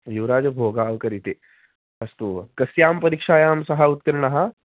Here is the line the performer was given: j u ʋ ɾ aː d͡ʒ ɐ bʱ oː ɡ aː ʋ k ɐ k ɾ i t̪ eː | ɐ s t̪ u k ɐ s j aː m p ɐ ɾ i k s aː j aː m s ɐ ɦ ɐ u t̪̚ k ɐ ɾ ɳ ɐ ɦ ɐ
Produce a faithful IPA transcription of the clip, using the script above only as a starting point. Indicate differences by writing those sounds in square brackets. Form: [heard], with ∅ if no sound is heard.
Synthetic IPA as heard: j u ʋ ɾ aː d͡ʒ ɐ bʱ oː ɡ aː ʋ k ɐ [∅] ɾ i t̪ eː | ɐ s t̪ u k ɐ s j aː m p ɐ ɾ i k [ʂ] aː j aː m s ɐ ɦ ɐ u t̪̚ k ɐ ɾ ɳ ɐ ɦ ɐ